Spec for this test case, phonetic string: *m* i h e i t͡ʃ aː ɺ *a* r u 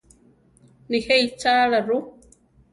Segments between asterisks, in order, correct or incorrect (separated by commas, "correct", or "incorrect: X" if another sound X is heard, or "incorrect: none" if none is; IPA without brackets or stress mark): incorrect: n, correct